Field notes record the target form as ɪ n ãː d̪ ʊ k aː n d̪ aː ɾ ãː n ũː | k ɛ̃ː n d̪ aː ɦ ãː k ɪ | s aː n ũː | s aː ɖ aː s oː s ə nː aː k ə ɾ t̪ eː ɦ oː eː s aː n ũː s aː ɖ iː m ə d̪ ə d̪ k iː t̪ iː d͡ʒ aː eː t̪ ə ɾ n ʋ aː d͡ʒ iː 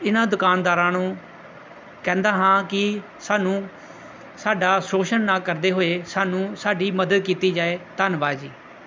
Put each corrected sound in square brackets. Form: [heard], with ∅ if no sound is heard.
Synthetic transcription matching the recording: ɪ n ãː d̪ ʊ k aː n d̪ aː ɾ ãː n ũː | k ɛ̃ː n d̪ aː ɦ ãː k ɪ | s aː n ũː | s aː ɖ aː s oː [ʃ] ə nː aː k ə ɾ [d̪] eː ɦ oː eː s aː n ũː s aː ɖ iː m ə d̪ ə d̪ k iː t̪ iː d͡ʒ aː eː t̪ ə [∅] n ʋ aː d͡ʒ iː